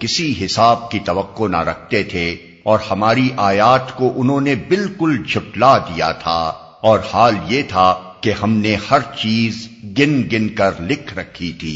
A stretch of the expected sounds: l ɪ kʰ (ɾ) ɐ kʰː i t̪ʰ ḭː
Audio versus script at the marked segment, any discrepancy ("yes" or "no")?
no